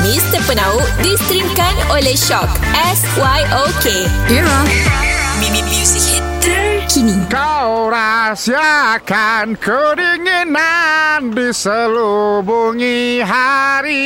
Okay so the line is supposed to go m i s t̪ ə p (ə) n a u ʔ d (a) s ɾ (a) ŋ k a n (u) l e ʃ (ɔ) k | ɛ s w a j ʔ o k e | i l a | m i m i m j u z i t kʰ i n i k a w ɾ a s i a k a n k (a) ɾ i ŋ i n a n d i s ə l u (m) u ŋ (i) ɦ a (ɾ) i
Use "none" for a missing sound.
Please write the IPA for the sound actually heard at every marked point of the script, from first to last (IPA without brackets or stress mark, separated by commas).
ə, i, i, o, ɔ, ə, b, i, ɾ